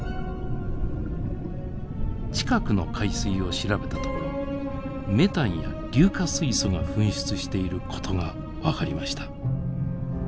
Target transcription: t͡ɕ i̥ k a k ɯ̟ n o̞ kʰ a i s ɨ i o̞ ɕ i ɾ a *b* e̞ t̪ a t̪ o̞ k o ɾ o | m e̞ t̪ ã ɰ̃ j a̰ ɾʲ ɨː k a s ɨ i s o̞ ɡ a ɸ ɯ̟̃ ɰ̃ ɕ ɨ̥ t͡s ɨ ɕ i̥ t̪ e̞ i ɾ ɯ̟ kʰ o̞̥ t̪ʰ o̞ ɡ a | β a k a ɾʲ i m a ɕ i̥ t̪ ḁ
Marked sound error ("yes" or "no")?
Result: no